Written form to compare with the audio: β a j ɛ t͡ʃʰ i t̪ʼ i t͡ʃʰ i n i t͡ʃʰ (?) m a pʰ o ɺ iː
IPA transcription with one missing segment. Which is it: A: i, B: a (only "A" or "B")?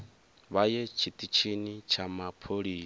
B